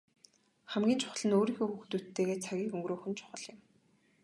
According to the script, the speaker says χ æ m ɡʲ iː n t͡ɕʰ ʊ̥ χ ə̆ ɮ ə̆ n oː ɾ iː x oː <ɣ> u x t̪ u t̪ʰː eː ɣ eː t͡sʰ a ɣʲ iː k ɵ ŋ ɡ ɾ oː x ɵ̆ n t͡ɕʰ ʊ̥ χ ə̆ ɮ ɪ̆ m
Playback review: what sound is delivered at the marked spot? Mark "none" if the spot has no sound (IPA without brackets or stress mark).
x